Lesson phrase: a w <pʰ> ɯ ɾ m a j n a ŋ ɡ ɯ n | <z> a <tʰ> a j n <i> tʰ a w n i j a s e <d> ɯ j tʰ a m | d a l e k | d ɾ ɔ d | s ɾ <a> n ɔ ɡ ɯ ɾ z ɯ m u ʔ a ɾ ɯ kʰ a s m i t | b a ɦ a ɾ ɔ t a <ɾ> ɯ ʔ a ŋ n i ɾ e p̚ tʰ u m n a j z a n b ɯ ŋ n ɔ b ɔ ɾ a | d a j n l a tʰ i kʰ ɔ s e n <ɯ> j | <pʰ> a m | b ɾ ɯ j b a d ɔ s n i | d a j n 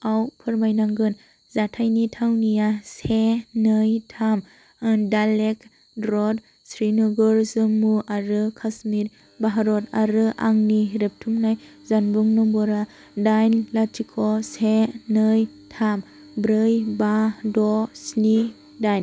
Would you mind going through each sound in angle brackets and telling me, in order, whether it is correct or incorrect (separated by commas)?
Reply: correct, correct, correct, correct, incorrect, incorrect, correct, correct, incorrect